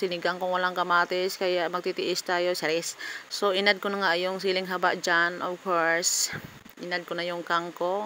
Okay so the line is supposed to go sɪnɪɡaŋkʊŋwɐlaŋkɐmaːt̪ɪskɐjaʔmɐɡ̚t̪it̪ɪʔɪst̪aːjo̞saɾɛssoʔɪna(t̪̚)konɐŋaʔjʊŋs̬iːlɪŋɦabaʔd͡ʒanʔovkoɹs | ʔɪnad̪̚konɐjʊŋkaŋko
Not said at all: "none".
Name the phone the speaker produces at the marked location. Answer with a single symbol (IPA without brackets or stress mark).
d̪̚